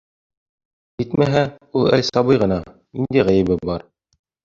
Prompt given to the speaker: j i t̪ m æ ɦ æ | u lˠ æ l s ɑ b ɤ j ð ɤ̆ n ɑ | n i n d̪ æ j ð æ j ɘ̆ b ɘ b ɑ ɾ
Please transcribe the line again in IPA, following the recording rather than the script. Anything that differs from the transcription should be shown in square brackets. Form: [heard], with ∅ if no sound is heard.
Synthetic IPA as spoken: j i t̪ m æ ɦ æ | u lˠ æ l s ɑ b ɤ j [ʁ] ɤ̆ n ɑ | n i n d̪ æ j [ʁ] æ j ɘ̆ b ɘ b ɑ ɾ